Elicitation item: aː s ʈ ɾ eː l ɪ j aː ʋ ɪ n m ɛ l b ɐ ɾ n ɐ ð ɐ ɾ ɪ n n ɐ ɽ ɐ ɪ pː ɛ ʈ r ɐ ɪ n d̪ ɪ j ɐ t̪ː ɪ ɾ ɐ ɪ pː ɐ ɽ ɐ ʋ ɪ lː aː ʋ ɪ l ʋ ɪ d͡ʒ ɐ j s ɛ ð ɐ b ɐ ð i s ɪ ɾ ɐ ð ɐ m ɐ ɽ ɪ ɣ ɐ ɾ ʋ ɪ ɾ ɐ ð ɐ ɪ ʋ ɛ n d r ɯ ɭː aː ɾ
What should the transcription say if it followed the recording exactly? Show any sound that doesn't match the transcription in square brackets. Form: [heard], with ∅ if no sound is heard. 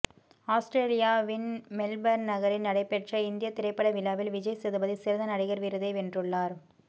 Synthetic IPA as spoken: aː s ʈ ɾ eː l ɪ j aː ʋ ɪ n m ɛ l b ɐ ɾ n ɐ [ɣ] ɐ ɾ ɪ n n ɐ ɽ ɐ ɪ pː ɛ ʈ r ɐ ɪ n d̪ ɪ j ɐ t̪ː ɪ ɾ ɐ ɪ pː ɐ ɽ ɐ ʋ ɪ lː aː ʋ ɪ l ʋ ɪ d͡ʒ ɐ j s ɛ ð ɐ b ɐ ð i s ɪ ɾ ɐ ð ɐ [n] ɐ ɽ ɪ ɣ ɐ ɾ ʋ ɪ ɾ ɐ ð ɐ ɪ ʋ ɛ n d r ɯ ɭː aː ɾ